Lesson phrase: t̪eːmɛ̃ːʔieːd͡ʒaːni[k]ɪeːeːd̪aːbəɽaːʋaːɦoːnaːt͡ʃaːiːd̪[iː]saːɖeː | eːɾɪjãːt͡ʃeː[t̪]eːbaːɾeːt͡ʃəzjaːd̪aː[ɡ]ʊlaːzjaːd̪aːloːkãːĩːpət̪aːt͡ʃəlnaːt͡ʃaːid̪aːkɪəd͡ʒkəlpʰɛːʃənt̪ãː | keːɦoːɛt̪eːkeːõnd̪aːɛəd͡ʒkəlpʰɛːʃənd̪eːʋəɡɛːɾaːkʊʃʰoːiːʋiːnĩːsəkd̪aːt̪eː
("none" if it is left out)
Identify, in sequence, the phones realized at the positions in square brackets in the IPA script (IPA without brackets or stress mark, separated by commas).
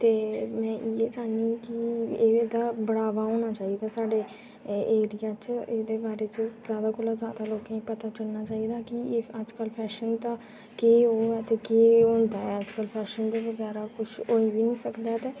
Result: k, aː, d̪, k